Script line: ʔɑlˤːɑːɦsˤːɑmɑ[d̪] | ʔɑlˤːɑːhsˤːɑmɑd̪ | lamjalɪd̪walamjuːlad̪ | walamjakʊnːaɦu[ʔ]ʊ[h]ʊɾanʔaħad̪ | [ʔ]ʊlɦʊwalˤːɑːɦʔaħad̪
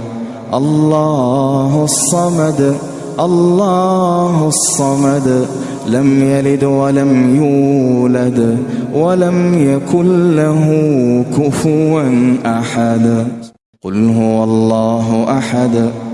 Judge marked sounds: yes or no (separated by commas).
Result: yes, no, no, no